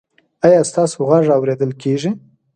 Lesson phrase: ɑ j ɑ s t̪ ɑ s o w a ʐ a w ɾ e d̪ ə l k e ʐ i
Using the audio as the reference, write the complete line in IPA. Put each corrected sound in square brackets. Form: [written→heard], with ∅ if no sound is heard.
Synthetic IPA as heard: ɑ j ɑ s t̪ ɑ s o [w→ɣ] a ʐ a w ɾ e d̪ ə l k e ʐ i